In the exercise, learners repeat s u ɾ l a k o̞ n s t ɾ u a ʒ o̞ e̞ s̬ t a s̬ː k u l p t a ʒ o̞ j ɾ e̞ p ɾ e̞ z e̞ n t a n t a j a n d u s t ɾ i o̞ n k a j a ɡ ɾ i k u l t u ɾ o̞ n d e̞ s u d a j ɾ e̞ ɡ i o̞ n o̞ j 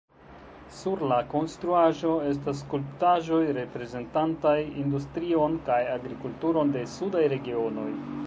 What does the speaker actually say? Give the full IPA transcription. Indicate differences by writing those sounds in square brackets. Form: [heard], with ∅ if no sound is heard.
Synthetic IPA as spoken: s u ɾ l a k o̞ n s t ɾ u a ʒ o̞ e̞ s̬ t a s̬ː k u l p t a ʒ o̞ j ɾ e̞ p ɾ e̞ z e̞ n t a n t a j [i] n d u s t ɾ i o̞ n k a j a ɡ ɾ i k u l t u ɾ o̞ n d e̞ s u d a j ɾ e̞ ɡ i o̞ n o̞ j